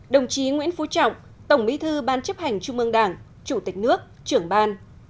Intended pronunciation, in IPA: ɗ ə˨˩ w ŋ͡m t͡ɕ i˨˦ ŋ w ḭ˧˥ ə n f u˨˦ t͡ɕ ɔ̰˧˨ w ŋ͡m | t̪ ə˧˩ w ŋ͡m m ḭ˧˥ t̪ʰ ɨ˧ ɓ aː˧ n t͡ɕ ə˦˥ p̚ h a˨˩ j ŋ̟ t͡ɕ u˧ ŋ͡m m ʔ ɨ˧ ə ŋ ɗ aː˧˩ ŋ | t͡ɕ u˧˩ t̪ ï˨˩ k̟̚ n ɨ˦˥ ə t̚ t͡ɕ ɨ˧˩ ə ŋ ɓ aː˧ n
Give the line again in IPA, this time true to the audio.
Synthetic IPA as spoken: ɗ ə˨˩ w ŋ͡m t͡ɕ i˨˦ ŋ w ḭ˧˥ ə n f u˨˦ t͡ɕ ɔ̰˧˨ w ŋ͡m | t̪ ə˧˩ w ŋ͡m m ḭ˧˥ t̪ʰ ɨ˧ ɓ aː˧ n t͡ɕ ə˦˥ p̚ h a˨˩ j ŋ̟ t͡ɕ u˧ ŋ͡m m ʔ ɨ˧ ə ŋ ɗ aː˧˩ ŋ | t͡ɕ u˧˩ t̪ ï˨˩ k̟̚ n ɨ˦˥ ə k̚ t͡ɕ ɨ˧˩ ə ŋ ɓ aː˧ n